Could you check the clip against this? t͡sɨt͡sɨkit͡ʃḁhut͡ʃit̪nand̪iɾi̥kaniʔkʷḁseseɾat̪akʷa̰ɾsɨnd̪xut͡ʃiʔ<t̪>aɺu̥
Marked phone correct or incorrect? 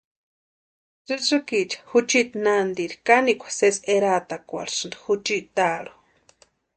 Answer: correct